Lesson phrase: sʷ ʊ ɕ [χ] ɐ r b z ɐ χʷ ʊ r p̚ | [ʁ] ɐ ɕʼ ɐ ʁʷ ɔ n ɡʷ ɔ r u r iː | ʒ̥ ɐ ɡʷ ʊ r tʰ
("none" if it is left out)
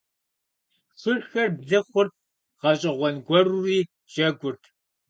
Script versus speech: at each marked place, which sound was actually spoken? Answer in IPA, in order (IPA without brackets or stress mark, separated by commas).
x, ʁ